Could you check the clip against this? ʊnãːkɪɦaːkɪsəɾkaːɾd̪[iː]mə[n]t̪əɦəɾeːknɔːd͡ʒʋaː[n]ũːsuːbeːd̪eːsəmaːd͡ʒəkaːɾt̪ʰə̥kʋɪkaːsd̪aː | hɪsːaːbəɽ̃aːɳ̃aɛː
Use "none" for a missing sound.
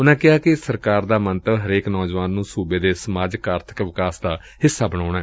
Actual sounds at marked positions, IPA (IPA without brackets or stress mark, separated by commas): aː, n, nː